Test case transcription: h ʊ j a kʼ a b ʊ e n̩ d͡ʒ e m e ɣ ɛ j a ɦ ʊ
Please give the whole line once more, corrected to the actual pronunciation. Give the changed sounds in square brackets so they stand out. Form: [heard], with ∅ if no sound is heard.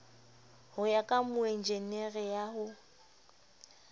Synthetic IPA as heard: h ʊ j a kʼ a [m] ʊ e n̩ d͡ʒ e [n] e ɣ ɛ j a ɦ ʊ

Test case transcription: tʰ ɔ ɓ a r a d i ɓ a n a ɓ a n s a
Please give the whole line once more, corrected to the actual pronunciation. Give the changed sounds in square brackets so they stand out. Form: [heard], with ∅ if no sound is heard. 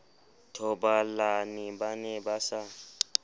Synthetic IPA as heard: tʰ ɔ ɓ a [l] a [n] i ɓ a n [ɛ] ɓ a [∅] s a

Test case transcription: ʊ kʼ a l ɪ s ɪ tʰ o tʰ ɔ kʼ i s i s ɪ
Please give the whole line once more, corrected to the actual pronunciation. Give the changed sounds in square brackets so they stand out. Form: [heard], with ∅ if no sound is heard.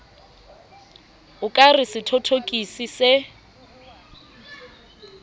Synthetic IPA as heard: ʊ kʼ a [r] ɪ s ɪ tʰ o tʰ [o] kʼ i s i s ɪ

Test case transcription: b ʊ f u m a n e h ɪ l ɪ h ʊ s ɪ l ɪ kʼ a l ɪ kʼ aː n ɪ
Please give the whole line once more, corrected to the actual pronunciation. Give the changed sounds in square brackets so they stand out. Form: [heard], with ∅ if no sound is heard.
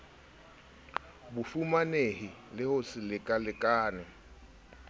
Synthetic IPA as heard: b ʊ f u m a n e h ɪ l ɪ h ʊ s ɪ l ɪ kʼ a l ɪ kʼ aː n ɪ

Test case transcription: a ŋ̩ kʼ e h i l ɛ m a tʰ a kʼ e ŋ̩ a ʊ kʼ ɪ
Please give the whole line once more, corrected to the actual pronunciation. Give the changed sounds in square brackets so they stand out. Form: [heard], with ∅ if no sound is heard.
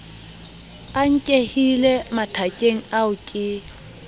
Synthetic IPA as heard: a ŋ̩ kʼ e h i l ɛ m a tʰ a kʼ e ŋ̩ a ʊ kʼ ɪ

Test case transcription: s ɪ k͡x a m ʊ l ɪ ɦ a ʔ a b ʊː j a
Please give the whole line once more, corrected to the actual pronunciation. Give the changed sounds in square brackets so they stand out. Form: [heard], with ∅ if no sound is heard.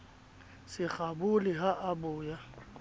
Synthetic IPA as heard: s ɪ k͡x a [b] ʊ l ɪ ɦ a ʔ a b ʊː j a

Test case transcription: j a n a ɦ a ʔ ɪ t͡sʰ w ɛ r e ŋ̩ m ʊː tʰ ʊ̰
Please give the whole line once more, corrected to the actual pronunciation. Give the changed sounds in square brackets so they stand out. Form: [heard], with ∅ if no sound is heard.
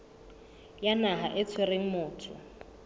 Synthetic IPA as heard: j a n a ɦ a ʔ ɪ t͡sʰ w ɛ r e ŋ̩ m ʊː tʰ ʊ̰

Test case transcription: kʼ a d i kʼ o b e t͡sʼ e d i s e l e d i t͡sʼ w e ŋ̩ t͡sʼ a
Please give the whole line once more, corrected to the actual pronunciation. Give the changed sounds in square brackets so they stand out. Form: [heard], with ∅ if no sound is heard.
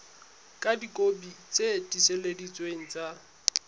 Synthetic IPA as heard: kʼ a d i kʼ o b [i] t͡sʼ e d i s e l e d i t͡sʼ w e ŋ̩ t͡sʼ a

